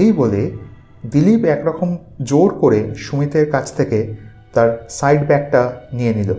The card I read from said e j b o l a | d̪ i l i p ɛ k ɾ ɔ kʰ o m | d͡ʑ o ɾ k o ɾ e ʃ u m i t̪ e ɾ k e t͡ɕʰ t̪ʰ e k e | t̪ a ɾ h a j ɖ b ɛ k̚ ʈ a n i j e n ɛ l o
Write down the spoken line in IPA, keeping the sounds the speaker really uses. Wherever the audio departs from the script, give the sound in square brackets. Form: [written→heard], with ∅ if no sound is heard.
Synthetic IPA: e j b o l [a→e] | d̪ i l i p ɛ k ɾ ɔ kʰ o m | d͡ʑ o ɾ k o ɾ e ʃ u m i t̪ e ɾ k [e→a] t͡ɕʰ t̪ʰ e k e | t̪ a ɾ [h→s] a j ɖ b ɛ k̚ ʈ a n i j e n [ɛ→i] l o